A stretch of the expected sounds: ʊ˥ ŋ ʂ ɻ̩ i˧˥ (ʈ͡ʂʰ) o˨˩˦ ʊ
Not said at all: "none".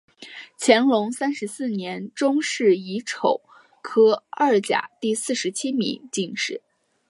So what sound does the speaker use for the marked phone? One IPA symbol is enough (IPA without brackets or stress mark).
ʈ͡ʂʰ